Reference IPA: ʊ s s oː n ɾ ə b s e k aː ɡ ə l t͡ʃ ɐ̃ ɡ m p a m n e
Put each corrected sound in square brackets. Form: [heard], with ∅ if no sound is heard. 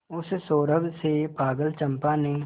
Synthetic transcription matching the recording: ʊ s s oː [∅] ɾ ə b s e [p] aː ɡ ə l t͡ʃ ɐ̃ [∅] m p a [∅] n e